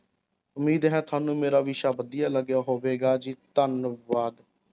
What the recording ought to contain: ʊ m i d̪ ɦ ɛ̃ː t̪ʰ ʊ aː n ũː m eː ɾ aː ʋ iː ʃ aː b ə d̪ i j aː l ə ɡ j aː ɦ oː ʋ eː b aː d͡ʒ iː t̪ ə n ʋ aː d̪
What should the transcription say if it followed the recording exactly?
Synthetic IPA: ʊ m iː d̪ ɦ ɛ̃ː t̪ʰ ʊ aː n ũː m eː ɾ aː ʋ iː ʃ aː b ə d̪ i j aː l ə ɡ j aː ɦ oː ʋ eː ɡ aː d͡ʒ iː t̪ ə n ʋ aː d̪